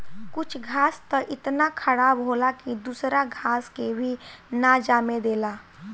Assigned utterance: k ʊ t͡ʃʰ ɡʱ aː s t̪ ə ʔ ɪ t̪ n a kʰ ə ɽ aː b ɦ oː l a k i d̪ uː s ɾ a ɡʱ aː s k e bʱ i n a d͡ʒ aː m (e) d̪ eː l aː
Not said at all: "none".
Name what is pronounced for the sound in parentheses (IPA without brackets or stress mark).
e